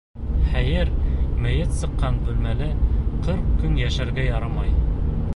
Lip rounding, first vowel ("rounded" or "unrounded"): unrounded